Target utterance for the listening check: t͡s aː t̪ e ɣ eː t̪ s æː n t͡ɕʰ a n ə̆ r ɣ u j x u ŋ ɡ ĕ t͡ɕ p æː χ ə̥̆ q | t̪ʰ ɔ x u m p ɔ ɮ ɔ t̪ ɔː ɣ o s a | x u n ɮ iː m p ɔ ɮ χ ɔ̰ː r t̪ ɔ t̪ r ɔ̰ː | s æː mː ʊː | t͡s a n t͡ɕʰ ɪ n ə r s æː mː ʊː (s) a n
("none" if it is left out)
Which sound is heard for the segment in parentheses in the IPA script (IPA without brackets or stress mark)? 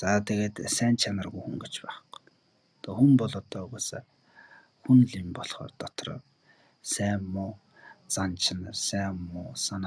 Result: s